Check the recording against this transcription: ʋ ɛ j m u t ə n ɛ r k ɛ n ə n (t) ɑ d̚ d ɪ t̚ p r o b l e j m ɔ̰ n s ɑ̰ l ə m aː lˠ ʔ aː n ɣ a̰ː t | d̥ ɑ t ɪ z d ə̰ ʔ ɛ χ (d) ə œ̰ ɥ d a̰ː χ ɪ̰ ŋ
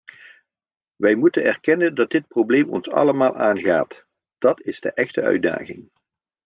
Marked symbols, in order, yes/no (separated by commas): no, no